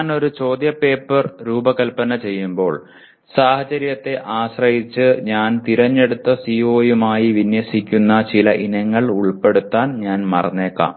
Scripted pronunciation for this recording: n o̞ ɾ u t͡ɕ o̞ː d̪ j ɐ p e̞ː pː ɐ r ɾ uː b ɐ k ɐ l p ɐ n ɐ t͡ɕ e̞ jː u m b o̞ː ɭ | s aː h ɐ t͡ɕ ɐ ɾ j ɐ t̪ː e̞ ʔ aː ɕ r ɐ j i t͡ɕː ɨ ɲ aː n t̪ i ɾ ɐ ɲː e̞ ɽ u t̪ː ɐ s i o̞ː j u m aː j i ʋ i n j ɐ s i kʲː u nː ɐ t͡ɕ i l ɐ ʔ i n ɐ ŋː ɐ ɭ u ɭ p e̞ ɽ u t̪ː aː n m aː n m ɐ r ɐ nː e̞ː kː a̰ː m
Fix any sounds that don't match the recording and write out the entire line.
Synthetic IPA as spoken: n o̞ ɾ u t͡ɕ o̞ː d̪ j ɐ p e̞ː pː ɐ r ɾ uː b ɐ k ɐ l p ɐ n ɐ t͡ɕ e̞ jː u m b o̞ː ɭ | s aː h ɐ t͡ɕ ɐ ɾ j ɐ t̪ː e̞ ʔ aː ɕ r ɐ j i t͡ɕː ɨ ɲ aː n t̪ i ɾ ɐ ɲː e̞ ɽ u t̪ː ɐ s i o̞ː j u m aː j i ʋ i n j ɐ s i kʲː u nː ɐ t͡ɕ i l ɐ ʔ i n ɐ ŋː ɐ ɭ u ɭ p e̞ ɽ u t̪ː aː n ɲ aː n m ɐ r ɐ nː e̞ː kː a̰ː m

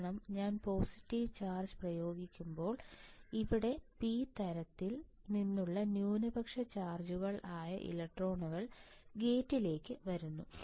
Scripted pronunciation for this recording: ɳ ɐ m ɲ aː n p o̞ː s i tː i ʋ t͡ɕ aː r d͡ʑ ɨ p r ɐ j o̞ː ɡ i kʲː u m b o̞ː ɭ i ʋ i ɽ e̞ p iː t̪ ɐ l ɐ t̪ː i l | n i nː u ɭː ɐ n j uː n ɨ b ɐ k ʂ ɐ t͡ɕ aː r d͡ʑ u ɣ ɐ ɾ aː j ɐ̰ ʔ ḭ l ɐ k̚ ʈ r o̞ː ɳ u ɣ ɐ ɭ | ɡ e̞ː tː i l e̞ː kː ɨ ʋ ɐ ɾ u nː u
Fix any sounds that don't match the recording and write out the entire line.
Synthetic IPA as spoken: ɳ ɐ m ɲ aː n p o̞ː s i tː i ʋ t͡ɕ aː r d͡ʑ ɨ p r ɐ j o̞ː ɡ i kʲː u m b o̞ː ɭ i ʋ i ɽ e̞ p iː t̪ ɐ ɾ ɐ t̪ː i l | n i nː u ɭː ɐ n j uː n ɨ b ɐ k ʂ ɐ t͡ɕ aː r d͡ʑ u ɣ ɐ ɭ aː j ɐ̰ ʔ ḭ l ɐ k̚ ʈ r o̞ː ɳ u ɣ ɐ ɭ | ɡ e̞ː tː i l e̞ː kː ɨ ʋ ɐ ɾ u nː u

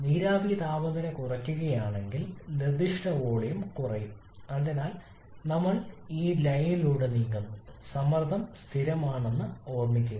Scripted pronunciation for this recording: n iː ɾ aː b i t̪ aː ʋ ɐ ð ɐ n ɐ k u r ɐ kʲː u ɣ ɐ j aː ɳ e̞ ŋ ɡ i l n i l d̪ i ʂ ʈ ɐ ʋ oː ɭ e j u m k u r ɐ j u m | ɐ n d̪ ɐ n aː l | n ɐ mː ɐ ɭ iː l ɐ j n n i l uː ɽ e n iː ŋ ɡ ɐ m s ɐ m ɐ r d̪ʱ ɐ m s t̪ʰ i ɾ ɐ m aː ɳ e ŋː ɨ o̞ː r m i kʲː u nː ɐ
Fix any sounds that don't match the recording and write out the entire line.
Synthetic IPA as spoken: n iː ɾ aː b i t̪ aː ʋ ɐ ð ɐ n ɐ k u r ɐ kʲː u ɣ ɐ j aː ɳ e̞ ŋ ɡ i l n i r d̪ i ʂ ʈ ɐ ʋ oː ɭ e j u m k u r ɐ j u m | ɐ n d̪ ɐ n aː l | n ɐ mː ɐ ɭ iː l ɐ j n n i l uː ɽ e n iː ŋ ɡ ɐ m s ɐ m ɐ r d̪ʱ ɐ m s t̪ʰ i ɾ ɐ m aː ɳ e nː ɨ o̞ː r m i kʲː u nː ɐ

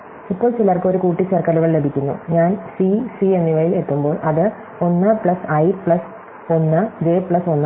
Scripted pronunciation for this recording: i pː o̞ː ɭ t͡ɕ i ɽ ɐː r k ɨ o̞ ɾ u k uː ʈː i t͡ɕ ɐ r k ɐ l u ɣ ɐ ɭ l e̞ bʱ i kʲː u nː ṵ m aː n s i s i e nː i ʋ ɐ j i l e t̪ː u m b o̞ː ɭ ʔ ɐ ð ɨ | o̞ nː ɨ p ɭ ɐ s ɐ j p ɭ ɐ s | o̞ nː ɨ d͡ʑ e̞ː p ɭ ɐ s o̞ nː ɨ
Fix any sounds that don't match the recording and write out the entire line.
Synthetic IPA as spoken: i pː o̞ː ɭ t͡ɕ i l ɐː r k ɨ o̞ ɾ u k uː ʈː i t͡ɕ ɐ r k ɐ l u ɣ ɐ ɭ l e̞ bʱ i kʲː u nː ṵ ɲ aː n s i s i e nː i ʋ ɐ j i l e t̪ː u m b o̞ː ɭ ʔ ɐ ð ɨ | o̞ nː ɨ p ɭ ɐ s ɐ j p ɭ ɐ s | o̞ nː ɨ d͡ʑ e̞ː p ɭ ɐ s o̞ nː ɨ

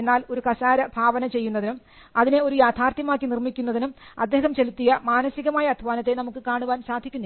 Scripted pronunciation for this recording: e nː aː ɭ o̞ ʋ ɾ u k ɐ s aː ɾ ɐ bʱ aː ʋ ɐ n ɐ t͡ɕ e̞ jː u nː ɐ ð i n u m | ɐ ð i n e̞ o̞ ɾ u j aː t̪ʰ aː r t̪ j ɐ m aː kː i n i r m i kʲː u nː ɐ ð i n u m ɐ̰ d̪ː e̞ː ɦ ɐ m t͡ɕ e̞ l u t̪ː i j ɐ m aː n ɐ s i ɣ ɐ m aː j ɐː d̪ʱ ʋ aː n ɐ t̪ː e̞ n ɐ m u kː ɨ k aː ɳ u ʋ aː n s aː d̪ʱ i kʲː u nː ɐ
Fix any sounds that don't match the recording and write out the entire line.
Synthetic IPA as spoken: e nː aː l o̞ ɾ u k ɐ s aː ɾ ɐ bʱ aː ʋ ɐ n ɐ t͡ɕ e̞ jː u nː ɐ ð i n u m | ɐ ð i n e̞ o̞ ɾ u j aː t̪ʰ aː r t̪ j ɐ m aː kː i n i r m i kʲː u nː ɐ ð i n u m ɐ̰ d̪ː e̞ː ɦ ɐ m t͡ɕ e̞ l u t̪ː i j ɐ m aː n ɐ s i ɣ ɐ m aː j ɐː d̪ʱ ʋ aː n ɐ t̪ː e̞ n ɐ m u kː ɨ k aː ɳ u ʋ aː n s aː d̪ʱ i kʲː u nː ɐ

